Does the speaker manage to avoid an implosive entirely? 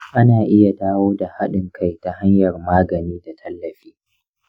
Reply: no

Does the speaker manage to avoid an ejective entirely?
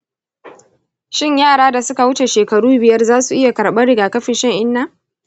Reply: yes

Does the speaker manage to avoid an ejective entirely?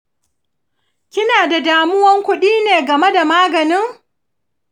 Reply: yes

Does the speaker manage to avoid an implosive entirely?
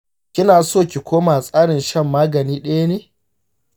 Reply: no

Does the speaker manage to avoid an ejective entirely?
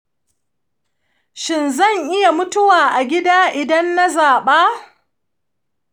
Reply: yes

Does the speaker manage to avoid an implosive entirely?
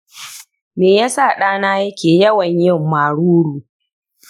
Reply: no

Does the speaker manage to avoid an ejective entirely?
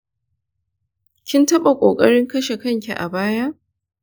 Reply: no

